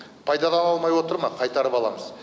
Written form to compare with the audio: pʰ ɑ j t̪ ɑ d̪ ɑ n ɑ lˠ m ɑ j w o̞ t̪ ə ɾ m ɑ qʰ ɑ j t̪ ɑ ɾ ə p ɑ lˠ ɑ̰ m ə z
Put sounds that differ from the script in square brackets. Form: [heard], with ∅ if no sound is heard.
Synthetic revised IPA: pʰ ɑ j [d̪] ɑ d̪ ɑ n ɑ lˠ m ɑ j w o̞ t̪ ə ɾ m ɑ qʰ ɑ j t̪ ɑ ɾ ə p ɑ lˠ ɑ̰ m ə z